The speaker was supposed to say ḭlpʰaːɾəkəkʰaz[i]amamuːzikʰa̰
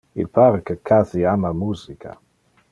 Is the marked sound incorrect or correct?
correct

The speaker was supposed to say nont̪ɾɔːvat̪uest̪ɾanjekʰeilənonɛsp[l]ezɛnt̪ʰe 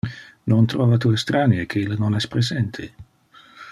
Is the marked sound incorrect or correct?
incorrect: ɾ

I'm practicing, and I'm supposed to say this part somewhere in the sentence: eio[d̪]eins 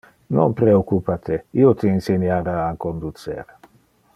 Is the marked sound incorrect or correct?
incorrect: t̪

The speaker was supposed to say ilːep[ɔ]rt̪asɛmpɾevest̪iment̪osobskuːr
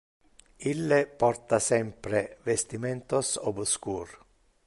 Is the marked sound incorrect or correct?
correct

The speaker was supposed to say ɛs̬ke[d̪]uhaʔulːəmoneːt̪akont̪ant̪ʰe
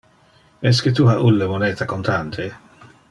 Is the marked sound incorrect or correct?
incorrect: t̪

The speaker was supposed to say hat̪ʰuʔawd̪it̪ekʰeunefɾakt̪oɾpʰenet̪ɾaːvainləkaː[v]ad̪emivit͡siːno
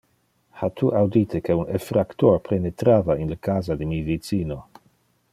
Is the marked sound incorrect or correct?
incorrect: z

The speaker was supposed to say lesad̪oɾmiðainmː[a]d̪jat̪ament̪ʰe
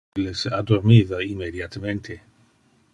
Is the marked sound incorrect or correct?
incorrect: e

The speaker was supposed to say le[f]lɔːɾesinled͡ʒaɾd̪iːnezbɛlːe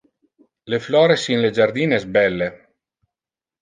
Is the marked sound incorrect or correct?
correct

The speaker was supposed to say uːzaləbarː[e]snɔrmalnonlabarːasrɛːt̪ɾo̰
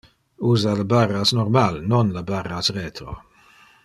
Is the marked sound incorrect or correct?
incorrect: a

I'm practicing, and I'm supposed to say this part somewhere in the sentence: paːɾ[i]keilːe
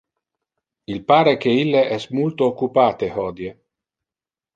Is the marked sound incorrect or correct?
incorrect: e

